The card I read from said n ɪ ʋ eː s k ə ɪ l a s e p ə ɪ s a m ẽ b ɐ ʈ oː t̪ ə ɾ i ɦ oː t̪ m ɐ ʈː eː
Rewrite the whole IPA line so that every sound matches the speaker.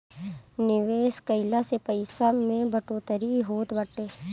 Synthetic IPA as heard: n ɪ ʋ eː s k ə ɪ l a s e p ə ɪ s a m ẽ b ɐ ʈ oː t̪ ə ɾ i ɦ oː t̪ b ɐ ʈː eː